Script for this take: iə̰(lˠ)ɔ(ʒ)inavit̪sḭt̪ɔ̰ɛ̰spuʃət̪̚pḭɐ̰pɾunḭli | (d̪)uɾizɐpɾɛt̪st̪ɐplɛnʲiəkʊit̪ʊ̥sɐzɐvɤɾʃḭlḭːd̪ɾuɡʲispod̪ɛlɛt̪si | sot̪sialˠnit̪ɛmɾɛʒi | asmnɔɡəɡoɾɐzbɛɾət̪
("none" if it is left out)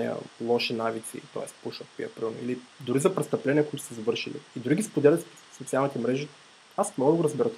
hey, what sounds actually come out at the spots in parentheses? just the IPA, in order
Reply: lˠ, ʃ, d̪

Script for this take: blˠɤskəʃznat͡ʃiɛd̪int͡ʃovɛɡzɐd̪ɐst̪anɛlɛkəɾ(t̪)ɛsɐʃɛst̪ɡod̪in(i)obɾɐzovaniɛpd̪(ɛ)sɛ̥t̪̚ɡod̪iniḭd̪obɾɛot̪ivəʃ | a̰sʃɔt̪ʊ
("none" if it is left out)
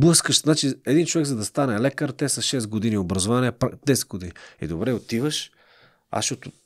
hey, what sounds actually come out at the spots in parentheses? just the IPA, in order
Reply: t̪, i, ɛ

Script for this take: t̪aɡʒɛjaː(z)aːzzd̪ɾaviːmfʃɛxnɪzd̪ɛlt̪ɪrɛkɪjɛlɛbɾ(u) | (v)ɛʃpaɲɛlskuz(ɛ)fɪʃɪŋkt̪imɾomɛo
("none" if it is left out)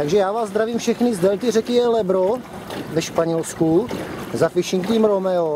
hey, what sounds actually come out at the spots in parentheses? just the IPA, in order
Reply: v, o, v, a

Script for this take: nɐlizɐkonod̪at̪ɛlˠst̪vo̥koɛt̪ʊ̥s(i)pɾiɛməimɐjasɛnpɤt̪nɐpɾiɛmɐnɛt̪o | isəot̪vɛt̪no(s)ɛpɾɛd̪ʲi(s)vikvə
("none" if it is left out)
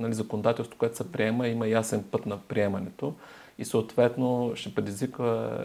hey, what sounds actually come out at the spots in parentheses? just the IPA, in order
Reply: ɛ, ʃ, z

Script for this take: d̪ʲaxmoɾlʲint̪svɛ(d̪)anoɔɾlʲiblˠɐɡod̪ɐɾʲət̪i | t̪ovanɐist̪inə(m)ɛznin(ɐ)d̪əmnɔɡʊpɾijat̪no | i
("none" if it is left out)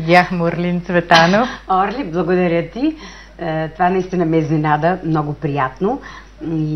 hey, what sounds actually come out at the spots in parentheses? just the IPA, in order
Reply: t̪, m, a

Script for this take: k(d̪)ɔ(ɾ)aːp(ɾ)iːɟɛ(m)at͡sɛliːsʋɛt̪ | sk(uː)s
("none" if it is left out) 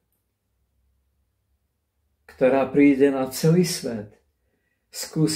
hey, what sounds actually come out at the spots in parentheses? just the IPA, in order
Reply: t̪, ɾ, ɾ, n, uː

